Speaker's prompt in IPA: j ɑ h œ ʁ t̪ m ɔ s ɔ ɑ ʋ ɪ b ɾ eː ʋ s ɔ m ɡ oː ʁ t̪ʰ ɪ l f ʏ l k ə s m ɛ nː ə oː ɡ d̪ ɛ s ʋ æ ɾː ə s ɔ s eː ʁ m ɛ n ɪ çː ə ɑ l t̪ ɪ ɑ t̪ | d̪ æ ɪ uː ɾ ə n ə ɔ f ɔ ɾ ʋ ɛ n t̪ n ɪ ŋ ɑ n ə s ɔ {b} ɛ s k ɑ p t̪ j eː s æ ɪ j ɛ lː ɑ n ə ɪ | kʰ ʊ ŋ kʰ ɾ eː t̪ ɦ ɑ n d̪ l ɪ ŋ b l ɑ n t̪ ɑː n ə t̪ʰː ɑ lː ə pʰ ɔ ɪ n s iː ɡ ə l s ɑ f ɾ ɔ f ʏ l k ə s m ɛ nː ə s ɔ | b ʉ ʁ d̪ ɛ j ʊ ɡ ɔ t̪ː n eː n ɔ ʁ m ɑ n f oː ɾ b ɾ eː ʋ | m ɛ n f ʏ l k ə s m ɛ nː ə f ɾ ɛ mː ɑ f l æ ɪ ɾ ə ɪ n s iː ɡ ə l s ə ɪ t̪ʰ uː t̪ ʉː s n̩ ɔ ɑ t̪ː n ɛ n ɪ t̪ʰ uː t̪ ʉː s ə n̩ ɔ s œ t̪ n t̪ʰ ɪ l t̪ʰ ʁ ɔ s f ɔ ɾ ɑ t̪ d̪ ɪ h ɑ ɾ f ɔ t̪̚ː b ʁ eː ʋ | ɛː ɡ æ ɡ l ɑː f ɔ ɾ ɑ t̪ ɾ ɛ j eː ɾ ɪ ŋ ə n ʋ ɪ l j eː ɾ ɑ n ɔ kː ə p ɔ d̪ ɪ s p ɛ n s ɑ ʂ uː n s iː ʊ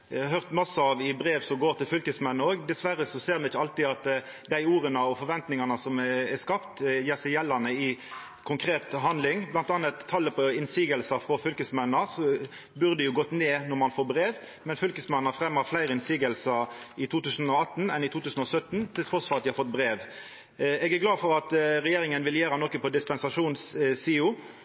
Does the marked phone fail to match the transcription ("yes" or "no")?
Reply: yes